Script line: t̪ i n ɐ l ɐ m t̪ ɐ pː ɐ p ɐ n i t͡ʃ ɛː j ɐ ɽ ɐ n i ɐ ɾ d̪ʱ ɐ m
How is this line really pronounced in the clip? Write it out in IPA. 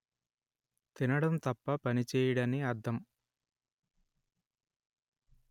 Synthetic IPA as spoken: t̪ i n ɐ ɽ ɐ m t̪ ɐ pː ɐ p ɐ n i t͡ʃ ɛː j ɐ ɽ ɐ n i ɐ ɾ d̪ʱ ɐ m